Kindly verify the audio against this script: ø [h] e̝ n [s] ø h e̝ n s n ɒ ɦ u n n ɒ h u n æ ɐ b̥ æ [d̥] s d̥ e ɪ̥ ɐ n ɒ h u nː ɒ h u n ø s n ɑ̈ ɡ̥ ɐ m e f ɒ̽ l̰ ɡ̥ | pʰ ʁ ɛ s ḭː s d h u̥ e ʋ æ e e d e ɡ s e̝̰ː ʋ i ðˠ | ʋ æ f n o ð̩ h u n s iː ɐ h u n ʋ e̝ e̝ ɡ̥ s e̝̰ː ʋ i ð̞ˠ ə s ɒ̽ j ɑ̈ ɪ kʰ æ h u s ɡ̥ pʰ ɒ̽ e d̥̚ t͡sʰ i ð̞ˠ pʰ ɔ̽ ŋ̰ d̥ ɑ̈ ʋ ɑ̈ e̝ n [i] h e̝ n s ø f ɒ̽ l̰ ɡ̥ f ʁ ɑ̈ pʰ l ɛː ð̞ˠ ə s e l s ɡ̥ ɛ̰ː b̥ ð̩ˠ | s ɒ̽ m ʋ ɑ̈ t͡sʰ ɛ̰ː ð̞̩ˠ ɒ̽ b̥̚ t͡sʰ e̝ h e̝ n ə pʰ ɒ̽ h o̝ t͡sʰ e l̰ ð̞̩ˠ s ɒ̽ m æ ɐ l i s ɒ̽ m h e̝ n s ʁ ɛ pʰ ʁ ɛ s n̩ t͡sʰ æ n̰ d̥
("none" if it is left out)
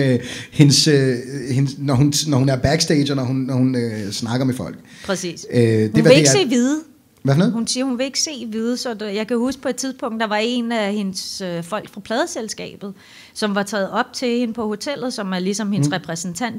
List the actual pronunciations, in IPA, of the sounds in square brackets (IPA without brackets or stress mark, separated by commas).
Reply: h, s, ɡ̥, æ